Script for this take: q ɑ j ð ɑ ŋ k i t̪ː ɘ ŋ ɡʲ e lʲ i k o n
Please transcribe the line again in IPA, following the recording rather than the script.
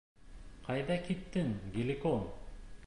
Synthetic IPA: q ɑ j ð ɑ k i t̪ː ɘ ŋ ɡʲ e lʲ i k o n